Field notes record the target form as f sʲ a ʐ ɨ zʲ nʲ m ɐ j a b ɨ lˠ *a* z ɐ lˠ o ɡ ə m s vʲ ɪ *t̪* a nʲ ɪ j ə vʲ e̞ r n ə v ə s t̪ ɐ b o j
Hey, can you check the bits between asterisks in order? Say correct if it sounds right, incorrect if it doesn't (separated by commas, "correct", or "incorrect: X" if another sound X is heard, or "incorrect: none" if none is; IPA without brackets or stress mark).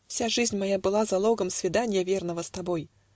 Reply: correct, incorrect: d̪